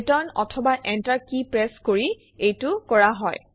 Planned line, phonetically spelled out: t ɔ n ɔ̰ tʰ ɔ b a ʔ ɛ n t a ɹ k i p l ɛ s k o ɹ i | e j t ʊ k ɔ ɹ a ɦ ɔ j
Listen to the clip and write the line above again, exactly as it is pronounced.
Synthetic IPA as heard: t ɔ n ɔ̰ tʰ ɔ b a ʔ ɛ n t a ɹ k i p ɹ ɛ s k o ɹ i | e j t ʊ k ɔ ɹ a ɦ ɔ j